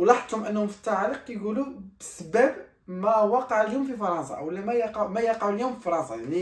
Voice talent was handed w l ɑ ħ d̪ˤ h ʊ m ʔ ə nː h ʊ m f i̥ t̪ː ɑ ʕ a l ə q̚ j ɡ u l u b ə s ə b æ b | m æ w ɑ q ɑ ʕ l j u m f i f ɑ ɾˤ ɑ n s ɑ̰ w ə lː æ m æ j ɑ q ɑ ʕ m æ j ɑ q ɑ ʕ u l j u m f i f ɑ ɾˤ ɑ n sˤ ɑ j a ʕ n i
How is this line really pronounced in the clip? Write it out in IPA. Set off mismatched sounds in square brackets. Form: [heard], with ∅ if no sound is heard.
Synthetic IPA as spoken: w l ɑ ħ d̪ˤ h ʊ m ʔ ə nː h ʊ m f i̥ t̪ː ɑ ʕ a l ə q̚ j ɡ u l u b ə s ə b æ b | m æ w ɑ q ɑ ʕ l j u m f i f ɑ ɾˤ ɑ n s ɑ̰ w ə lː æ m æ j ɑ q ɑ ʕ m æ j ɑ q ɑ ʕ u l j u m f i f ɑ ɾˤ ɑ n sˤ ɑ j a ʕ n i